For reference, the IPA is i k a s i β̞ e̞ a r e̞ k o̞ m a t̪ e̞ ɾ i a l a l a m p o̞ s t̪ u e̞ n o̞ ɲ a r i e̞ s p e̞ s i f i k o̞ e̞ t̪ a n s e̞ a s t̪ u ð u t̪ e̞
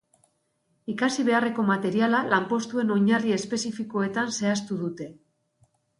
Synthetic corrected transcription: i k a s i β̞ e̞ a r e̞ k o̞ m a t̪ e̞ ɾ i a l a l a m p o̞ s t̪ u e̞ n o̞ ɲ a r i e̞ s p e̞ s i f i k o̞ e̞ t̪ a n s e̞ a s t̪ u ð u t̪ e̞